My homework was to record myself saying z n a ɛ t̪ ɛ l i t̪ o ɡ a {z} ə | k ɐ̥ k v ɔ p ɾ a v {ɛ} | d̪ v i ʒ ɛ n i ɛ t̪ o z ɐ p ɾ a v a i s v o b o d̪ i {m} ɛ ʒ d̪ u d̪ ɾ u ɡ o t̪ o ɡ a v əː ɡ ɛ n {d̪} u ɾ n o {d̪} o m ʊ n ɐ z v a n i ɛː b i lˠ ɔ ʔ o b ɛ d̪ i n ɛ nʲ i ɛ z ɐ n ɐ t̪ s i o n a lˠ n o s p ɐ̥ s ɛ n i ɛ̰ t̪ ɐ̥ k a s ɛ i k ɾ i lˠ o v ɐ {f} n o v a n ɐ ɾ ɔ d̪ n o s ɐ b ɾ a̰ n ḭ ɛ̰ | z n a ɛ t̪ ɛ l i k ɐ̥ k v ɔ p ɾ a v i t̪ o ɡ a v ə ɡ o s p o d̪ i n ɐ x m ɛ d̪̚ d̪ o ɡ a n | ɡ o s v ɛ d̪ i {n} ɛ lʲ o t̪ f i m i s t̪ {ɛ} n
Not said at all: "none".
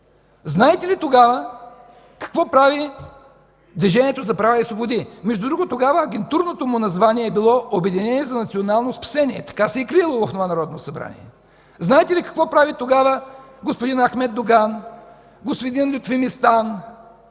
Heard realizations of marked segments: v, i, m, t̪, t̪, f, n, a

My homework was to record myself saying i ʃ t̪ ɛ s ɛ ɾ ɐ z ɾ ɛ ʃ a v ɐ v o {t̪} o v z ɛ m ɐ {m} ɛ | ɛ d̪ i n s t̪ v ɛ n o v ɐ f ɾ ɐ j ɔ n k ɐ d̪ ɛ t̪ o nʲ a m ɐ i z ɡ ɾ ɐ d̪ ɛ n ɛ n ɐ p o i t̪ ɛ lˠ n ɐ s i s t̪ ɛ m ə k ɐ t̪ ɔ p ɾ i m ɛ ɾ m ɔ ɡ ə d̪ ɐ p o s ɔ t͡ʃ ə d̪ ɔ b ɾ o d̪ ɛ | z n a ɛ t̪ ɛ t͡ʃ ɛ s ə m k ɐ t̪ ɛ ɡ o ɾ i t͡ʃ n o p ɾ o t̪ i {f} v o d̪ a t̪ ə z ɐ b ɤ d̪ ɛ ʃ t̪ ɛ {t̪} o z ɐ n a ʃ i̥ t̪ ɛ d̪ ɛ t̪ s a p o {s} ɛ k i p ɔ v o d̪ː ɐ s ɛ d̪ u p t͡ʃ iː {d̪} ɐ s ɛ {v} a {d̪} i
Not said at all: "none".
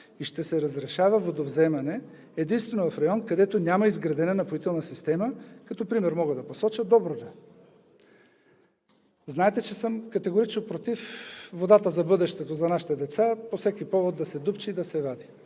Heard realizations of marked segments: d̪, n, f, t̪, s, d̪, v, d̪

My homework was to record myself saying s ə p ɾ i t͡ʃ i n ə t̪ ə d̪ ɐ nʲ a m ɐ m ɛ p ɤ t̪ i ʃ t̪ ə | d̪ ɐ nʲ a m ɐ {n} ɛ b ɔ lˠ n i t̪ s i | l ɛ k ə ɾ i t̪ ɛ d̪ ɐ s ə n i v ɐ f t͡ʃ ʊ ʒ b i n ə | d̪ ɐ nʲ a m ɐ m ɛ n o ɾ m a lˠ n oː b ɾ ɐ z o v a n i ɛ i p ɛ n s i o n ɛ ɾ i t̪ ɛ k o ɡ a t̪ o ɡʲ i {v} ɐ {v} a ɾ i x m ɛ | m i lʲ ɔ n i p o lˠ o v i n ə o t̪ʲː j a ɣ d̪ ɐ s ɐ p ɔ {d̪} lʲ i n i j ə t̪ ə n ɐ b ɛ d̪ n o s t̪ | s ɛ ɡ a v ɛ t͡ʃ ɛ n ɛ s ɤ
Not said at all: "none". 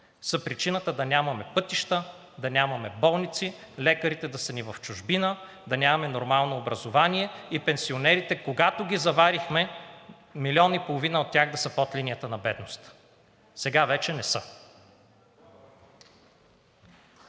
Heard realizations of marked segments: m, z, v, t̪

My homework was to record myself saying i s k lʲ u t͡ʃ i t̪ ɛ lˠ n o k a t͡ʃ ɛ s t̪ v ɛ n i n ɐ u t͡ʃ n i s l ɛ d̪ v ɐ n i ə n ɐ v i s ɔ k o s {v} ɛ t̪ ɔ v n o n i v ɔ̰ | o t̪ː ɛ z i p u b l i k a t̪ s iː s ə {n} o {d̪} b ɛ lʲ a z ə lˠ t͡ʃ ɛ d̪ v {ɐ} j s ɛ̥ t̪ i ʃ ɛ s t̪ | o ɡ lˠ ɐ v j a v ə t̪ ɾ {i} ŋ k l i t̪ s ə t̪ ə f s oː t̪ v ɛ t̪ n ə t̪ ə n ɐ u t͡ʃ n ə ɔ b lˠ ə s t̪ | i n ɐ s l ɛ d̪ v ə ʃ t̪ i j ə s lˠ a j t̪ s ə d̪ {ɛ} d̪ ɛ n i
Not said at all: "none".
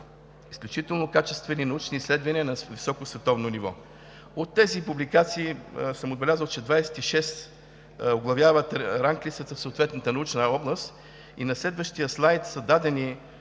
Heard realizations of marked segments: v, m, d̪, a, a, a

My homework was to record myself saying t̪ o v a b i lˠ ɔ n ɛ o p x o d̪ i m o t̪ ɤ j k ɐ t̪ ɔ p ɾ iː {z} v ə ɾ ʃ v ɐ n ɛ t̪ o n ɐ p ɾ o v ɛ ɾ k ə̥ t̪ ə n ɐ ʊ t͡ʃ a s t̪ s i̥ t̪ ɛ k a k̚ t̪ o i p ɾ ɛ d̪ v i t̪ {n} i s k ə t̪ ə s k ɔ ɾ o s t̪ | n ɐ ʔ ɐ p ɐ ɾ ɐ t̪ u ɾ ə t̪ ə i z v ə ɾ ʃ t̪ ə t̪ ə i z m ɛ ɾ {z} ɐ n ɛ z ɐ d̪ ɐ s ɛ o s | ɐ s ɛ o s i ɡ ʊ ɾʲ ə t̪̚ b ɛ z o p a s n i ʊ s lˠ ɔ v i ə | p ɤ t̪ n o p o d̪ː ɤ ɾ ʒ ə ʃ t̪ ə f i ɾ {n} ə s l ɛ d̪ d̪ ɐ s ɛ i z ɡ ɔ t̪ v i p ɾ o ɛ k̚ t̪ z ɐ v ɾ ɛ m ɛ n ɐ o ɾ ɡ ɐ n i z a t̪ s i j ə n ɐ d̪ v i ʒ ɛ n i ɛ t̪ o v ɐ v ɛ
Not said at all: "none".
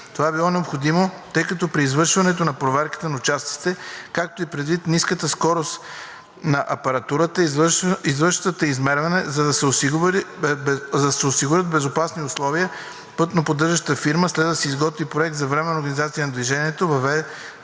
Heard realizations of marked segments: z, n, v, m

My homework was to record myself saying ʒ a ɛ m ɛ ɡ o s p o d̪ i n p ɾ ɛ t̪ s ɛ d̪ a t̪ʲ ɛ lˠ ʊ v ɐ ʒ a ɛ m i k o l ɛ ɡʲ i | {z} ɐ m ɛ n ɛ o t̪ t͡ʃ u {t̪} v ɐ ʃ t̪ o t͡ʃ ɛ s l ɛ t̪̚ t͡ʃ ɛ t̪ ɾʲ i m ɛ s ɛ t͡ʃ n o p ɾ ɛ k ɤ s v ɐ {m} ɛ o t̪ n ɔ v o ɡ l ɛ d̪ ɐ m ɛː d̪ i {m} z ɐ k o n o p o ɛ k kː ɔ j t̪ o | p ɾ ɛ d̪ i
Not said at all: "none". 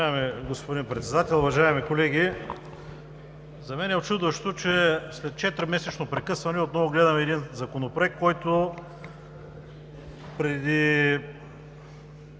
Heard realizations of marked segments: z, d̪, n, n

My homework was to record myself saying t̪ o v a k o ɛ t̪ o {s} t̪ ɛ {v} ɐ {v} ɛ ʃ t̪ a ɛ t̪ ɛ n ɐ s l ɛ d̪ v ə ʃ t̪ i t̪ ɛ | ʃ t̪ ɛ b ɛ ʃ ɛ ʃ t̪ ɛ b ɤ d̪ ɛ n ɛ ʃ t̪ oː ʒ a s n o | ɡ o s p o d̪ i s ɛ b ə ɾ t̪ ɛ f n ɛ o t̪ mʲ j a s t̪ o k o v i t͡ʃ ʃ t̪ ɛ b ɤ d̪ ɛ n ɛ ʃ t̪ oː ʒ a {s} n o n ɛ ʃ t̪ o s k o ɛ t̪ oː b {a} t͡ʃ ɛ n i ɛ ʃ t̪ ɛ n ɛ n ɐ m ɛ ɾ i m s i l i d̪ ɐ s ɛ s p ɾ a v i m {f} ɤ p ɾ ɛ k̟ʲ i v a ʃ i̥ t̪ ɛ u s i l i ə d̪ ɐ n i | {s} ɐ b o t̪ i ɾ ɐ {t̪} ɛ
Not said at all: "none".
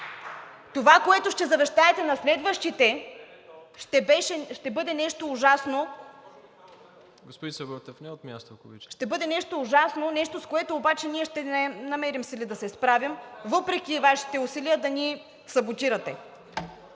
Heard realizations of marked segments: ʃ, z, v, s, a, v, s, t̪

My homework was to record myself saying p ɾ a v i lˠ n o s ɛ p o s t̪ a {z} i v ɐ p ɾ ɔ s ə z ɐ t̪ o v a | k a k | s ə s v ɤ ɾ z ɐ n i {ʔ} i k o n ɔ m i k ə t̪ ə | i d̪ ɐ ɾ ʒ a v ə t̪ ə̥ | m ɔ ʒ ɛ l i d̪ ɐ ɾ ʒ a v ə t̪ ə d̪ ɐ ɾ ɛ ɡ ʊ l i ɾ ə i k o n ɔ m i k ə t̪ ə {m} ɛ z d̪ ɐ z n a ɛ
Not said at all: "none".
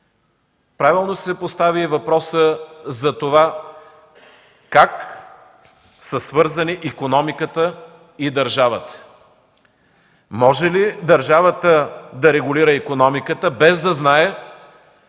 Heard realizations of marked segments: v, ʔ, b

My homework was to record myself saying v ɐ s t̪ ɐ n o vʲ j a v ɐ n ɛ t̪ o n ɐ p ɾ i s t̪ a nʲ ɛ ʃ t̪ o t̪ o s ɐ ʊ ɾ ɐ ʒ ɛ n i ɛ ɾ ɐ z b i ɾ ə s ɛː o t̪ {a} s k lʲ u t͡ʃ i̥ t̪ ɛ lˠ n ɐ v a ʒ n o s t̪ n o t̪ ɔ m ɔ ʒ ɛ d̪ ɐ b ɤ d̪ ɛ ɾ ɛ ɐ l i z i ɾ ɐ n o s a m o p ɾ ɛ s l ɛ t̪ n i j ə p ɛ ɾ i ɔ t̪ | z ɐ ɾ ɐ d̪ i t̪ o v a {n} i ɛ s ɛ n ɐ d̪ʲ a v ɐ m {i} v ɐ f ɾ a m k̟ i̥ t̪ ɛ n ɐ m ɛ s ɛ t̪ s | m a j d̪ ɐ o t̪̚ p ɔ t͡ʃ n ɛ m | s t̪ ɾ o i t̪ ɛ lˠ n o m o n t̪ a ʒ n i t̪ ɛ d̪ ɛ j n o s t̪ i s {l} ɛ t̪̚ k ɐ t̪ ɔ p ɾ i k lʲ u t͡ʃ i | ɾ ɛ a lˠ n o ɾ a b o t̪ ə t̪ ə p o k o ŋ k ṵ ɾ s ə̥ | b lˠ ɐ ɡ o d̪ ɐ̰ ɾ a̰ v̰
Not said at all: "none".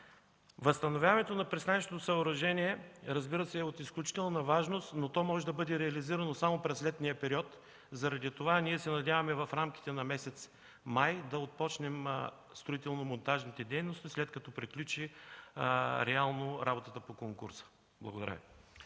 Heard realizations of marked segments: i, n, ɛ, l

